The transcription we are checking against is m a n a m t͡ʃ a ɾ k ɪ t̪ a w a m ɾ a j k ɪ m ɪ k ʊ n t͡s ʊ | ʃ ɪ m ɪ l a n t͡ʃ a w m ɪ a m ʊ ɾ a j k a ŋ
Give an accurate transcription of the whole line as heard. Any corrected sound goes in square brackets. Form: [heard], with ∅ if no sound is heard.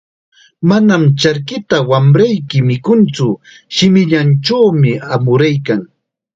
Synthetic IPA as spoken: m a n a m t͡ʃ a ɾ k ɪ t̪ a w a m ɾ a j k ɪ m ɪ k ʊ n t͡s ʊ | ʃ ɪ m ɪ [ʎ] a n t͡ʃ a w m ɪ a m ʊ ɾ a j k a ŋ